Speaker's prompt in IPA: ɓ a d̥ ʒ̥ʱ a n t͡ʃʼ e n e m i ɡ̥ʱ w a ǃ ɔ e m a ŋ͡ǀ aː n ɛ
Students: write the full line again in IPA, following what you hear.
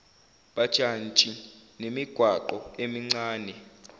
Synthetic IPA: ɓ a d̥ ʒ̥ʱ a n t͡ʃʼ i n e m i ɡ̥ʱ w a ǃ ɔ e m i ŋ͡ǀ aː n ɛ